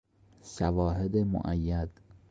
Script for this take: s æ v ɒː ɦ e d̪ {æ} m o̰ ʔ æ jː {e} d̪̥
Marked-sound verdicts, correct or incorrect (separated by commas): incorrect, incorrect